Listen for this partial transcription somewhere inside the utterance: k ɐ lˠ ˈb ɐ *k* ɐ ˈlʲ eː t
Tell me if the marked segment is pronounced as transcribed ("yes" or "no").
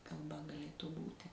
no